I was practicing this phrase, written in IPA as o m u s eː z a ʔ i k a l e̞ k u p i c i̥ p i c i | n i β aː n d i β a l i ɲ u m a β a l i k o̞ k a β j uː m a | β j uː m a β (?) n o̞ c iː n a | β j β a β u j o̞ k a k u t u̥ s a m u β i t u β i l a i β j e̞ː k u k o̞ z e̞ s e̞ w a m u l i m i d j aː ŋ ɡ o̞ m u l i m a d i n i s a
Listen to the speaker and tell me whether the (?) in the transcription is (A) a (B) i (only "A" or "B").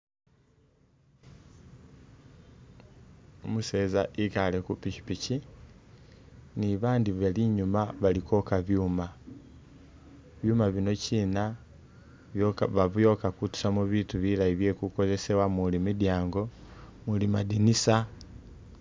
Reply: B